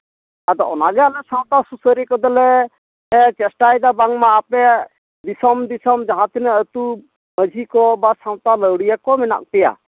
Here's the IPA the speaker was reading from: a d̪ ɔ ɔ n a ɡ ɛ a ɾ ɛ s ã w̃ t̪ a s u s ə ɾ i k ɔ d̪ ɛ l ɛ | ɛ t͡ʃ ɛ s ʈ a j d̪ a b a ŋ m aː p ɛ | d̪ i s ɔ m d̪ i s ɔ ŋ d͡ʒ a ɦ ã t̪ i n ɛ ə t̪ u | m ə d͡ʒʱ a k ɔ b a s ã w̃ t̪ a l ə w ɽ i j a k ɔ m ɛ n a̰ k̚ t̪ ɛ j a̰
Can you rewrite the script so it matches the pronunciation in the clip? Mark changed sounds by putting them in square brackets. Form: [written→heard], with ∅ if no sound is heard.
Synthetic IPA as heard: a d̪ ɔ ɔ n a ɡ ɛ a [ɾ→l] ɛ s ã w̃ t̪ a s u s ə ɾ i k ɔ d̪ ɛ l ɛ | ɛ t͡ʃ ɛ s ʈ a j d̪ a b a ŋ m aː p ɛ | d̪ i s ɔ m d̪ i s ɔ [ŋ→m] d͡ʒ a ɦ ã t̪ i n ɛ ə t̪ u | m ə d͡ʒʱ [a→i] k ɔ b a s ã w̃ t̪ a l ə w ɽ i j a k ɔ m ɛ n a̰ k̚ t̪ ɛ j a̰